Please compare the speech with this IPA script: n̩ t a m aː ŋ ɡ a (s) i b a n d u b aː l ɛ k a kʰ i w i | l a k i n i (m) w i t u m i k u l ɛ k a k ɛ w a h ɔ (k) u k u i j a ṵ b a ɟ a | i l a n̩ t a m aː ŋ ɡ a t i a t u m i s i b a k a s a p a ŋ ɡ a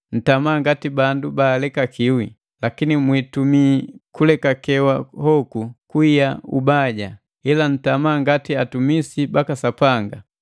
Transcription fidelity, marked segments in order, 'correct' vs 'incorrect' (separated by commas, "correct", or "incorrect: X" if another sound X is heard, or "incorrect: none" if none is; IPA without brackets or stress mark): incorrect: t, correct, correct